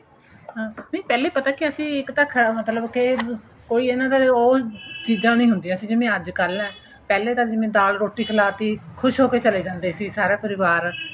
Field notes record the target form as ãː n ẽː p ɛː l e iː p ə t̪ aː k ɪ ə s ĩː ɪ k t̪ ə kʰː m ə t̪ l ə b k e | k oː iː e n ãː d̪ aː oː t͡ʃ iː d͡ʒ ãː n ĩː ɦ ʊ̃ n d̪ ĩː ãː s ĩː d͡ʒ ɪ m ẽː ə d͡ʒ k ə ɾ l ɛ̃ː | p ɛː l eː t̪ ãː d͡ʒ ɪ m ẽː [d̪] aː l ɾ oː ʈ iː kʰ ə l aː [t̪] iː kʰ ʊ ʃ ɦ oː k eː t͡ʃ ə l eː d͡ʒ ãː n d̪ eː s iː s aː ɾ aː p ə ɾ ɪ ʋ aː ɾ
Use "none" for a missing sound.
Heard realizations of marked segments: d̪, t̪

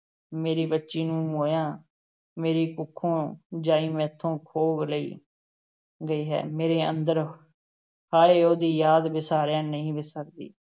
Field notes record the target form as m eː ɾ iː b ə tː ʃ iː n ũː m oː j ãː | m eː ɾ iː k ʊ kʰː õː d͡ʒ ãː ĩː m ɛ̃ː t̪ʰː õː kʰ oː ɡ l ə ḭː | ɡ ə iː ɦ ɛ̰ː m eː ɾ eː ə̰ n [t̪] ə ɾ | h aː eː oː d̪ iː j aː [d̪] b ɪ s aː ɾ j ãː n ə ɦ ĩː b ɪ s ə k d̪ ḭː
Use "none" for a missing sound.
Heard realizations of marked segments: d̪, d̪

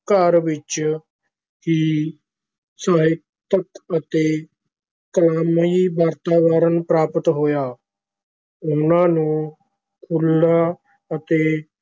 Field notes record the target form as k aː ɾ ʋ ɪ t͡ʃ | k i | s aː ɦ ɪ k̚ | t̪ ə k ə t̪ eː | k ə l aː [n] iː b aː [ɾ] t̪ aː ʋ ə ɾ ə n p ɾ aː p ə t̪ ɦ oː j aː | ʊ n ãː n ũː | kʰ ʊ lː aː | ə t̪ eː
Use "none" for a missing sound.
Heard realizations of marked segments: m, ɾ

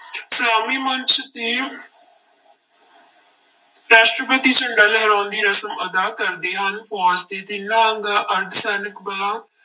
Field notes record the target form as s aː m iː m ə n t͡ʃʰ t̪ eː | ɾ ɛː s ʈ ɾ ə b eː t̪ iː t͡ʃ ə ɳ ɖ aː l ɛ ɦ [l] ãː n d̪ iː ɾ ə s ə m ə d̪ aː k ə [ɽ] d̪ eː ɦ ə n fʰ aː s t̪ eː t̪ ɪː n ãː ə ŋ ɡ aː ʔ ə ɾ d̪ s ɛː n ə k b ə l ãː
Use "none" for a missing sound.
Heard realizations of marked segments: ɾ, ɾ

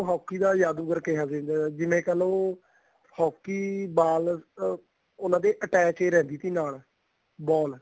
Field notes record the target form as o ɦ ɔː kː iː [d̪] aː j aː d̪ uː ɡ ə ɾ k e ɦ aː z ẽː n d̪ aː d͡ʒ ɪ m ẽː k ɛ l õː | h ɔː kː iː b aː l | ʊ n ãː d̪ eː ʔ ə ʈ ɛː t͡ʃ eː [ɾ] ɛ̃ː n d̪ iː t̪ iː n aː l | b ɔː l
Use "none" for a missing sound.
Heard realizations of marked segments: d̪, ɾ

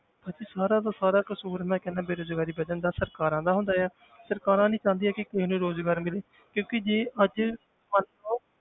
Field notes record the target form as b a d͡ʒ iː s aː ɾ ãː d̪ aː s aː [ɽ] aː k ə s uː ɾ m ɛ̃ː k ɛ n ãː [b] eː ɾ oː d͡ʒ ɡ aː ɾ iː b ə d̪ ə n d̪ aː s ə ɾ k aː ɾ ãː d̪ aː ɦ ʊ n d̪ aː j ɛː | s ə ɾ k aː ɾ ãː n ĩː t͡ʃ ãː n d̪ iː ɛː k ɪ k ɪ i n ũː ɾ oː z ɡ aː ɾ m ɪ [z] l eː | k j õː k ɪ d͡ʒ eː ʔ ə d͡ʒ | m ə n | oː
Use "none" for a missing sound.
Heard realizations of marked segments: ɾ, b, none

